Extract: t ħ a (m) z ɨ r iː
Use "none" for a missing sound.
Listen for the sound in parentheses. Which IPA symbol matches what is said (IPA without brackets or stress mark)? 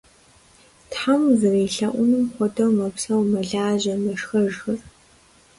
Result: m